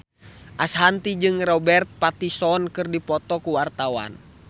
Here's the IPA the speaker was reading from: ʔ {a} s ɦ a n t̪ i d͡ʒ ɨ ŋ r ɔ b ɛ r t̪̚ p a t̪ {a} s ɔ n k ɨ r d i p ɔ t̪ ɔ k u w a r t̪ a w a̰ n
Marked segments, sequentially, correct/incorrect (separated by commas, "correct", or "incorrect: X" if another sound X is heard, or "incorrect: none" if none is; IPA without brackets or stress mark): correct, incorrect: i